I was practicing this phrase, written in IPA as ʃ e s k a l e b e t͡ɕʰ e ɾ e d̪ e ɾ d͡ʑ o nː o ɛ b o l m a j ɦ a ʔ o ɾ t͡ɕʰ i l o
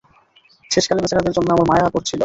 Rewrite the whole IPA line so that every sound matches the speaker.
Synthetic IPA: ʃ e ʃ k a l e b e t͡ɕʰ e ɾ a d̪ e ɾ d͡ʑ o nː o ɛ m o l m a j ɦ a k o ɾ t͡ɕʰ i l o